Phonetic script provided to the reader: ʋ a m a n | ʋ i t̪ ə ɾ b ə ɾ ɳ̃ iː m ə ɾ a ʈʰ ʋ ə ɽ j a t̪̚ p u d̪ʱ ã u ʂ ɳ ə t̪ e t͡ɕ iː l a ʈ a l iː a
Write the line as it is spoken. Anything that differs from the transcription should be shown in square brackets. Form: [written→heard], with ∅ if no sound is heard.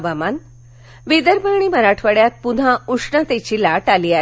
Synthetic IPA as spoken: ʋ a m a n | ʋ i [t̪→d̪] ə ɾ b ə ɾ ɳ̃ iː m ə ɾ a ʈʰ ʋ ə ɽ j a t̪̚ p u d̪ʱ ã u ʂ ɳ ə t̪ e t͡ɕ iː l a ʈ a l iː a